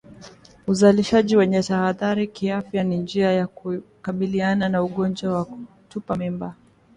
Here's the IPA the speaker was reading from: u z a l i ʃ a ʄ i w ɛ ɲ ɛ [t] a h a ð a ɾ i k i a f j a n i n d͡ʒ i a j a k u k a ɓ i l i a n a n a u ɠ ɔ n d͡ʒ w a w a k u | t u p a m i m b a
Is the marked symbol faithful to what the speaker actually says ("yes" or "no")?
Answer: yes